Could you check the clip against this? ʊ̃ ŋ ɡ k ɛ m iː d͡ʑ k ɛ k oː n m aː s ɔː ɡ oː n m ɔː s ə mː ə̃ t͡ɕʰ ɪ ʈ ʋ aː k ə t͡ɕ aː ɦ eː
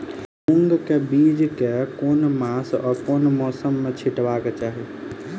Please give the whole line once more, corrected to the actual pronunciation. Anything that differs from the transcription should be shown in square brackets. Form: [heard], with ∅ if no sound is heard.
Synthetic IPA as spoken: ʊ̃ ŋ ɡ k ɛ [b] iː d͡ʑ k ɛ k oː n m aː s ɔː [k] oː n m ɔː s ə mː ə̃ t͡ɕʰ ɪ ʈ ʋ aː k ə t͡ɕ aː ɦ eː